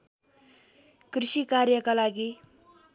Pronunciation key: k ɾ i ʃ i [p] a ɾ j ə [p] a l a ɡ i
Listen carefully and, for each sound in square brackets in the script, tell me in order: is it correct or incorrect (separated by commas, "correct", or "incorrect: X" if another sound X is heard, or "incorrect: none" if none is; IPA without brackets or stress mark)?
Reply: incorrect: k, incorrect: k